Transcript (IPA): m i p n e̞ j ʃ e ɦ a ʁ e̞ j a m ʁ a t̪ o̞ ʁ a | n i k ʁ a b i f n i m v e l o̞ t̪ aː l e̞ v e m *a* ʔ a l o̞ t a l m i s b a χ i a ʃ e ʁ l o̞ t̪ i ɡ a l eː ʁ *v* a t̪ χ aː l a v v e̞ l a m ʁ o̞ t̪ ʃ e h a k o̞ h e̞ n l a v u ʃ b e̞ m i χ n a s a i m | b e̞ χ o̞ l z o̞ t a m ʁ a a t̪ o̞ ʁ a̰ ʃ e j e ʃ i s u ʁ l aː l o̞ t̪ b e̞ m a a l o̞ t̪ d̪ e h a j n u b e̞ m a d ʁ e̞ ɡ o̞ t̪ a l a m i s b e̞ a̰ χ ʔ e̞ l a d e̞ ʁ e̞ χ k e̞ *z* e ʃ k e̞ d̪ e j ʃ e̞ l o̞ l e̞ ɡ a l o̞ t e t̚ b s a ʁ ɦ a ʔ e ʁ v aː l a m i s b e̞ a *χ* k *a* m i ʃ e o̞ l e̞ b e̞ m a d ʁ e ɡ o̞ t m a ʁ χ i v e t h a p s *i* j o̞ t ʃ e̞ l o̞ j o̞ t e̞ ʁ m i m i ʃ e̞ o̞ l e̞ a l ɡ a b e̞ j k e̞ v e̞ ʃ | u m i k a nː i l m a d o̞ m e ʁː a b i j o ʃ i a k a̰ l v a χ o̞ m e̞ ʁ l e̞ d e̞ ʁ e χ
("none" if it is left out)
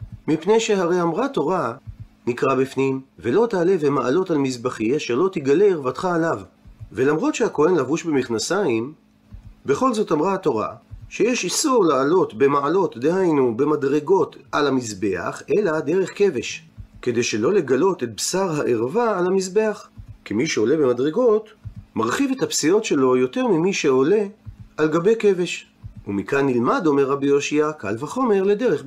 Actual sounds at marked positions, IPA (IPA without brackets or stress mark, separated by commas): a, v, v, χ, i, i